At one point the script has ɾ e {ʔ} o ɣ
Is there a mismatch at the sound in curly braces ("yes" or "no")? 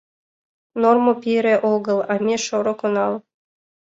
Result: no